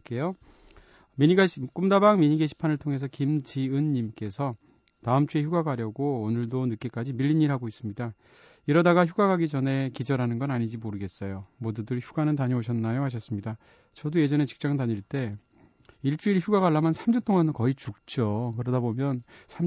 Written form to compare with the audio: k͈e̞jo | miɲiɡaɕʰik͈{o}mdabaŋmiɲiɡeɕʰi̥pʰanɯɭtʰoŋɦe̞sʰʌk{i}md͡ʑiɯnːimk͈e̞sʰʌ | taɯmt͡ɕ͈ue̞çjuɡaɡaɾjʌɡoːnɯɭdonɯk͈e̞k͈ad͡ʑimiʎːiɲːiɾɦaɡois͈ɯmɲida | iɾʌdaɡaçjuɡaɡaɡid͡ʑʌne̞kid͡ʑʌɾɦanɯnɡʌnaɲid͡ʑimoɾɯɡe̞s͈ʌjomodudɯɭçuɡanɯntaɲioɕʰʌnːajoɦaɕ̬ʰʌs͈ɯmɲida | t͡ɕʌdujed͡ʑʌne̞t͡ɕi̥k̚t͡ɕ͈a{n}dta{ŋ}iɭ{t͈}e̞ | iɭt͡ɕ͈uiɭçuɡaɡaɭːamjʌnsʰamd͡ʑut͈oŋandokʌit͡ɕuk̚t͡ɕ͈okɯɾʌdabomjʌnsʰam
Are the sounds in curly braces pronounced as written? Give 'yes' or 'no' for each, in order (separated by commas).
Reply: no, yes, no, no, yes